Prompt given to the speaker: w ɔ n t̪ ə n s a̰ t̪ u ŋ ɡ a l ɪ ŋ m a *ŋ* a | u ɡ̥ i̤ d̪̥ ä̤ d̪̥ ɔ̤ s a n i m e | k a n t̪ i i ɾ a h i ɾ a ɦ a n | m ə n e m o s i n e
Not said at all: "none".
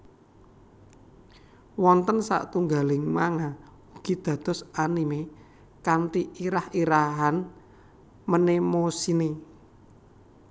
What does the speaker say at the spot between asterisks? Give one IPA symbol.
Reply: ŋ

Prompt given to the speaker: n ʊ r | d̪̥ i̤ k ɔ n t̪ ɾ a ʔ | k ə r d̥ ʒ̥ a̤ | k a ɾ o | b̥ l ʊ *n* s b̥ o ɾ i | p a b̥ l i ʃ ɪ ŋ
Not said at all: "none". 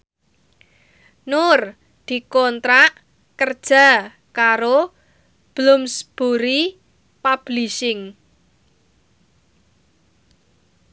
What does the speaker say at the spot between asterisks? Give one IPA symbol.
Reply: m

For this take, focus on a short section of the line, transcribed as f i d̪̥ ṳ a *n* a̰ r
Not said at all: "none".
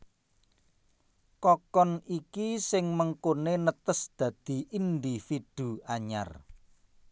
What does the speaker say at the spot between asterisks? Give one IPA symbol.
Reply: ɲ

